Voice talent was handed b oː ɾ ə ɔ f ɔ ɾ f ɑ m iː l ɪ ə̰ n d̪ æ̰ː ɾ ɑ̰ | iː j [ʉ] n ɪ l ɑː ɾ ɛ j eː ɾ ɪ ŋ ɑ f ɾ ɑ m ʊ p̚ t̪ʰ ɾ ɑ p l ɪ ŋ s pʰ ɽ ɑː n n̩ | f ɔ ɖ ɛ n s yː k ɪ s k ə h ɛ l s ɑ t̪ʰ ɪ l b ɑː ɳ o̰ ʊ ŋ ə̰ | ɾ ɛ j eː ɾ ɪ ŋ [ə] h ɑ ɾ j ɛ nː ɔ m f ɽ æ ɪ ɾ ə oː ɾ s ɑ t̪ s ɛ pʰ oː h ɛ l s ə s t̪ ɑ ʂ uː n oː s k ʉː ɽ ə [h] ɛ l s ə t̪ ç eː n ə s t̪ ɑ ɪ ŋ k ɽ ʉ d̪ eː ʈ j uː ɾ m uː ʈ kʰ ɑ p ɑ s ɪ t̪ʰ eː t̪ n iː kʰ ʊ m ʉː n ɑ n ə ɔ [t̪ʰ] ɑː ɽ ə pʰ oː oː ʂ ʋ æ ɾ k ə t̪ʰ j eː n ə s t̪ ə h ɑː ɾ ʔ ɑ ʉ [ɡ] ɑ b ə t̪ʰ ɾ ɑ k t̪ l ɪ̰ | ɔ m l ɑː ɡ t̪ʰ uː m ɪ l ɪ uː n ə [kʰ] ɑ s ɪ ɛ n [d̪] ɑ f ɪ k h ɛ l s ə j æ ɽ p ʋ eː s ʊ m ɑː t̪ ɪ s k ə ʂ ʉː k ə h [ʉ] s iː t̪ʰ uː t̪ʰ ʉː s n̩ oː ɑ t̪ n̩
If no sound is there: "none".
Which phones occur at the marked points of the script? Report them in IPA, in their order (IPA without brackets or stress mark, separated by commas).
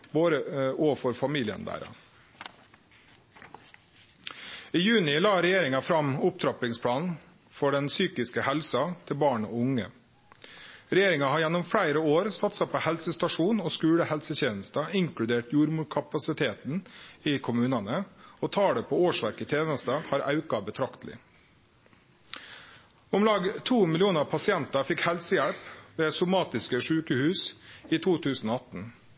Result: ʉː, ɑ, h, t̪ʰ, k, pʰ, t̪, ʉː